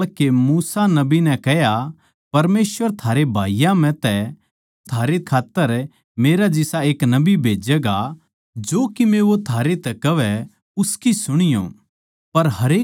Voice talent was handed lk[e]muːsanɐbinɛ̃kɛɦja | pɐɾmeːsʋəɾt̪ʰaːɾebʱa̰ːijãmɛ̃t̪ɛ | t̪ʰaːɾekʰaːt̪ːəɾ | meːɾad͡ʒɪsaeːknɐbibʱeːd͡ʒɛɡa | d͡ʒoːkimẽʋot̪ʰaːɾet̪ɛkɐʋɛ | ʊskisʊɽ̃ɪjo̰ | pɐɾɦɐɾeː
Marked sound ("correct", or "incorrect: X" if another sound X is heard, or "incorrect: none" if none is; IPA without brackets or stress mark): correct